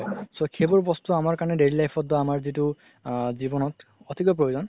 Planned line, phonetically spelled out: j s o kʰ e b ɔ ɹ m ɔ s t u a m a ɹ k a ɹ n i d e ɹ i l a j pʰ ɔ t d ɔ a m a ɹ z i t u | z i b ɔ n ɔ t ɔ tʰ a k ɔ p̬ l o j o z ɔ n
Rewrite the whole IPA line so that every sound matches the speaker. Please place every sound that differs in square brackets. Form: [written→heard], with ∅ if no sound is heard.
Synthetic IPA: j s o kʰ e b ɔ ɹ [m→b] ɔ s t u a m a ɹ k a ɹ n [i→ɛ] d e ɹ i l a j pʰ ɔ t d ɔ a m a ɹ z i t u | z i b ɔ n ɔ t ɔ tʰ [a→i] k ɔ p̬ [l→ɹ] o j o z ɔ n